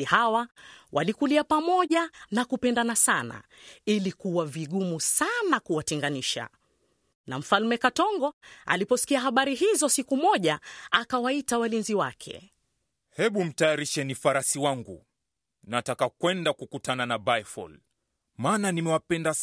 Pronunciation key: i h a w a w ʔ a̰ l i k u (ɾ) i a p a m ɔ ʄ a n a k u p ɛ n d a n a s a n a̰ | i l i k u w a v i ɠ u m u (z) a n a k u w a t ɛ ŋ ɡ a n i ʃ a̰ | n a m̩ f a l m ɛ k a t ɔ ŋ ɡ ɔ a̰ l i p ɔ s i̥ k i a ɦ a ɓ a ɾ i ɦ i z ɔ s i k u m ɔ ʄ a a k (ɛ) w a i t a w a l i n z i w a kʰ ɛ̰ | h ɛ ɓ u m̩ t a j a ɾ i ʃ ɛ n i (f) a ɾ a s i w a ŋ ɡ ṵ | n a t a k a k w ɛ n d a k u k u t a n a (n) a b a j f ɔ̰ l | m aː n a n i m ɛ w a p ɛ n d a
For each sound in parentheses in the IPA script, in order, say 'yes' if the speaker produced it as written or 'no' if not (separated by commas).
no, no, no, yes, yes